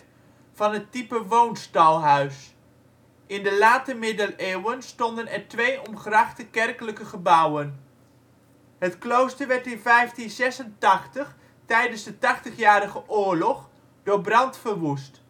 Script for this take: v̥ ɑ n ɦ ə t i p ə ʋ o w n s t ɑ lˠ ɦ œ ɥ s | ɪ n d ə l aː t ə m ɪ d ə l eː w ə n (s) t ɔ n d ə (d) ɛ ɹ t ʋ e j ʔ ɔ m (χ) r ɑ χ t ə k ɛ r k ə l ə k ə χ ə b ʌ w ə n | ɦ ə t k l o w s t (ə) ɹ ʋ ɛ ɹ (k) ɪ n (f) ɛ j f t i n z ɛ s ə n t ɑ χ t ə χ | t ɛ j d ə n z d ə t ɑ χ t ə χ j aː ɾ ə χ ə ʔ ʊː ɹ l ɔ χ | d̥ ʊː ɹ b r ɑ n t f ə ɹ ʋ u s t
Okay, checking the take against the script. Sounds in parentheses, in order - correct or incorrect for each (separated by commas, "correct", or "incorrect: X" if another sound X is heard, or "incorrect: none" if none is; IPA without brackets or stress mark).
correct, incorrect: n, correct, correct, incorrect: t, incorrect: v